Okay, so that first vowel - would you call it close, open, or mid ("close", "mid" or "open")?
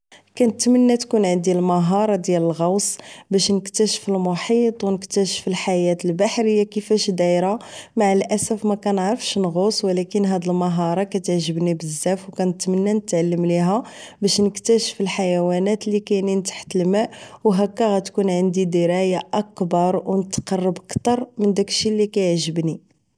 open